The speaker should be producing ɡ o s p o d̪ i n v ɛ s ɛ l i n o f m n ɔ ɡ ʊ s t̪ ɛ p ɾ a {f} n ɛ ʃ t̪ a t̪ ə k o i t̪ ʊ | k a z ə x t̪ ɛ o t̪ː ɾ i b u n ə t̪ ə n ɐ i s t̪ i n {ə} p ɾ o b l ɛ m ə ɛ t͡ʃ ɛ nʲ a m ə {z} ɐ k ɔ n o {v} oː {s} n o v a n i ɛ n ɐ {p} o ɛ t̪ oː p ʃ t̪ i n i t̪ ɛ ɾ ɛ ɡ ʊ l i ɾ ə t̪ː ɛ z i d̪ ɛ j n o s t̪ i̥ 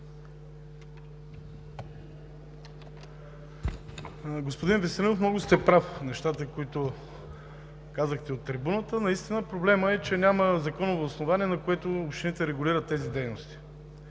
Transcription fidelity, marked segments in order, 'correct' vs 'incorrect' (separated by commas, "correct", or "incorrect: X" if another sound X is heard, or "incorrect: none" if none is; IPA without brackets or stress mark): correct, correct, correct, correct, correct, incorrect: k